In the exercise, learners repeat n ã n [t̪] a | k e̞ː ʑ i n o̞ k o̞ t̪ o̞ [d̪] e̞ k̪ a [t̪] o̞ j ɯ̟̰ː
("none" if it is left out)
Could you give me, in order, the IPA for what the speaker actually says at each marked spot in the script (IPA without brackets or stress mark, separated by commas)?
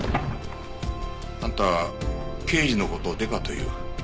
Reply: t̪, d̪, t̪